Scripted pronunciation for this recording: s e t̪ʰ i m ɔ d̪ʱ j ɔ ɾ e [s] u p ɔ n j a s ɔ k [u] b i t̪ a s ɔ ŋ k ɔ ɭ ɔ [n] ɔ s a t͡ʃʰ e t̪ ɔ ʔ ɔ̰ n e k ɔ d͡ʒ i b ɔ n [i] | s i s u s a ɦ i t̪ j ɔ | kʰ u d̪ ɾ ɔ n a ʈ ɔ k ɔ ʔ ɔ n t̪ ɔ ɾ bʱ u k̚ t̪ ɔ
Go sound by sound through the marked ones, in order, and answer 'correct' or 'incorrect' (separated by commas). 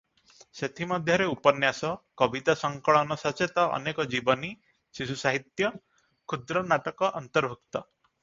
incorrect, incorrect, correct, correct